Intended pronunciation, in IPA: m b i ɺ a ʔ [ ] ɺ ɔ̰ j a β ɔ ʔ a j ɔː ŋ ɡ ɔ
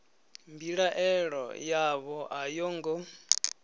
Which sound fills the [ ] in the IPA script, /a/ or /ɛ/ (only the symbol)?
ɛ